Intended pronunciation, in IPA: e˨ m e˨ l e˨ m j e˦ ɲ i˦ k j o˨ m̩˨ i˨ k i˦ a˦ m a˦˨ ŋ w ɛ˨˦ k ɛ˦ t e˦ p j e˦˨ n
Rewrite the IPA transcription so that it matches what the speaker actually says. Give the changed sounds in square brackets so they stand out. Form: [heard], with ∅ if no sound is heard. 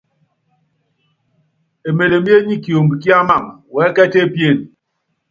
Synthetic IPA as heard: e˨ m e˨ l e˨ m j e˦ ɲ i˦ k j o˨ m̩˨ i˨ k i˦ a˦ m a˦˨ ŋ w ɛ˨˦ k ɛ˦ t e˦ p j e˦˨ n